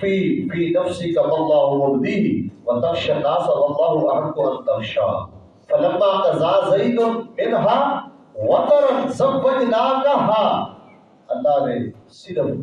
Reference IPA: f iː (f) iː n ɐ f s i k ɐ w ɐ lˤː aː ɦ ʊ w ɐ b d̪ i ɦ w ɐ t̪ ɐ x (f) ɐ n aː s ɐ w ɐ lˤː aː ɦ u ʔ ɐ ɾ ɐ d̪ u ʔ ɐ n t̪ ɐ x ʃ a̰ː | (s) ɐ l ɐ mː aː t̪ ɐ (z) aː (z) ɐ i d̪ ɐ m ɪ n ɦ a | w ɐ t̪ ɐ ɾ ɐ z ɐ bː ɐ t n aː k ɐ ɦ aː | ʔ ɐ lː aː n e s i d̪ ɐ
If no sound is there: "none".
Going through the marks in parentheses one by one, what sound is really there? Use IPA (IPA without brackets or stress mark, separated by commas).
f, ʃ, f, z, z